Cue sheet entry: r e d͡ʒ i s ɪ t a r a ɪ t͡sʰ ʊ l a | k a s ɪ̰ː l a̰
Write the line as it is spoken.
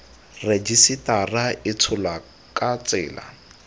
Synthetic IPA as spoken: r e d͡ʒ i s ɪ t a r a ɪ t͡sʰ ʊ l a | k a t͡s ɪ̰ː l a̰